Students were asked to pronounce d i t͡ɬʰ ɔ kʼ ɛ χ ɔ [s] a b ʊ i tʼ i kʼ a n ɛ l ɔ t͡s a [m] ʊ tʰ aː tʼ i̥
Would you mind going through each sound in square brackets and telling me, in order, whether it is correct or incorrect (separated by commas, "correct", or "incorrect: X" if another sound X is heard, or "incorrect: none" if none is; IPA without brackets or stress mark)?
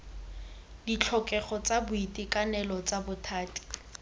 incorrect: t͡s, incorrect: b